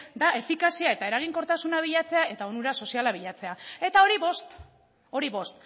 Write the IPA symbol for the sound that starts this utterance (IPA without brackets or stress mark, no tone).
d̪